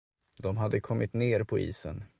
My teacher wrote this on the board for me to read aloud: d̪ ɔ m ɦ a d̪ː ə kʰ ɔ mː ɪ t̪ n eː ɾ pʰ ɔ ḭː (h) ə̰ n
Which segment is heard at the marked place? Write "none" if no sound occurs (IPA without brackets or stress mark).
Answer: s